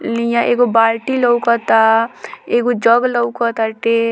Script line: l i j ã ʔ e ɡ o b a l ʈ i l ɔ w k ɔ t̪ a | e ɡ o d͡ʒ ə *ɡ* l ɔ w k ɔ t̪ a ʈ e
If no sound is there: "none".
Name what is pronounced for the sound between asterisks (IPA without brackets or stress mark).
ɡ